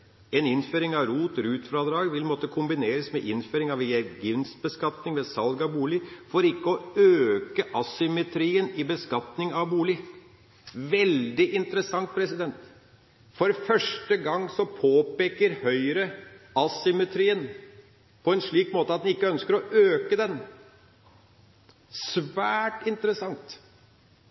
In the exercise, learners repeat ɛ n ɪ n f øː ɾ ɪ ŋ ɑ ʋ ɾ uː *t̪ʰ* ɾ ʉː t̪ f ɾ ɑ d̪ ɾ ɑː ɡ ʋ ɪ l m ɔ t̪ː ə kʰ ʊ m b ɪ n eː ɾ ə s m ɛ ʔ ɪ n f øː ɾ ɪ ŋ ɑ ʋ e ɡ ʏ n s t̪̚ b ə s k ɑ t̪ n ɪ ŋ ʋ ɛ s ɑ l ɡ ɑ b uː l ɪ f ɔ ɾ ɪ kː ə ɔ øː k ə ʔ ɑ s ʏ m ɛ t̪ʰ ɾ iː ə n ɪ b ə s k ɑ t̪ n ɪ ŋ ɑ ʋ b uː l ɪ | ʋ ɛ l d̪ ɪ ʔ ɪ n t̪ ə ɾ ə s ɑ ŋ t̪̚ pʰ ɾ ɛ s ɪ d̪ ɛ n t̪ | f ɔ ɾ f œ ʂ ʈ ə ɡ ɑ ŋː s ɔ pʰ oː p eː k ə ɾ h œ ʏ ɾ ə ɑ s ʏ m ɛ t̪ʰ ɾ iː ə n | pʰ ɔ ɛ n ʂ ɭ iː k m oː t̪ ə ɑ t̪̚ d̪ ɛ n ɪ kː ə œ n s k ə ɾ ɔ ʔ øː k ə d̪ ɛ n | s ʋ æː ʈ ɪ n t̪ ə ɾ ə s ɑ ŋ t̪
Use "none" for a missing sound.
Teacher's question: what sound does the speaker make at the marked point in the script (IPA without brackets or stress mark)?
t̪